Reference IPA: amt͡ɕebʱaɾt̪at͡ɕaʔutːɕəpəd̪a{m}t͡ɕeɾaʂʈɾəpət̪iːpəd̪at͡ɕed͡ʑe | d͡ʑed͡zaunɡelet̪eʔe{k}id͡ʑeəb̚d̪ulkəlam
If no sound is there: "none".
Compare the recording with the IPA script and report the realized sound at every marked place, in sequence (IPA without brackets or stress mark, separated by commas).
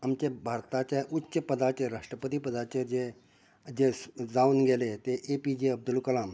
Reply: none, p